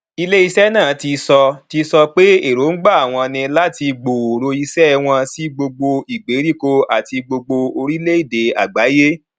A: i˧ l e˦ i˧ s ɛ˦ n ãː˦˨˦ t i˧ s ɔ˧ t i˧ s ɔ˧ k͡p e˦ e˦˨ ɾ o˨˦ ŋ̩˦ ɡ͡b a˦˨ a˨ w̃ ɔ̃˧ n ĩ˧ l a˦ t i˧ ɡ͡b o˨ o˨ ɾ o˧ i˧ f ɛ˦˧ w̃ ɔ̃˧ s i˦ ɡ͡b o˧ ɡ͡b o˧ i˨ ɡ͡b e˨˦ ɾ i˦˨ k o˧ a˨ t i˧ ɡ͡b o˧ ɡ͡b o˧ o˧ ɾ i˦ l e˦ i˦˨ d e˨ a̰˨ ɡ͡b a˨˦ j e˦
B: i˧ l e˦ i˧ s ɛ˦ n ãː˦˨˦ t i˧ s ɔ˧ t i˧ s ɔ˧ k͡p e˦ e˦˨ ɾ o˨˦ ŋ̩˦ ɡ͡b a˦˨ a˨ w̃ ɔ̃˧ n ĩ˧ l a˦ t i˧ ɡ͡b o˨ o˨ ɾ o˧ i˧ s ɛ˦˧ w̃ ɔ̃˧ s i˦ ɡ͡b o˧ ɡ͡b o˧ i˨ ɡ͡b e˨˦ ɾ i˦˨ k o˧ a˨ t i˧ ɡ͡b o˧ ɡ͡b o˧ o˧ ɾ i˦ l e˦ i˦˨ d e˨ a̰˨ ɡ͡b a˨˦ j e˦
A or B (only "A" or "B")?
B